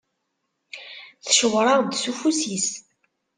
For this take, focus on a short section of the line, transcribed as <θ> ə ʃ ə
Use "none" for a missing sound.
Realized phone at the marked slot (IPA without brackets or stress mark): θ